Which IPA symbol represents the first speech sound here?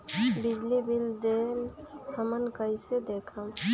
b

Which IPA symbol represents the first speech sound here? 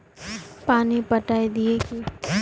p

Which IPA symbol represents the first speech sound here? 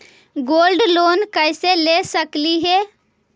ɡ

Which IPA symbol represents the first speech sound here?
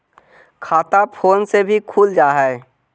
kʰ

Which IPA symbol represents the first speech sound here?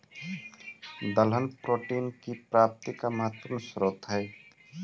d̪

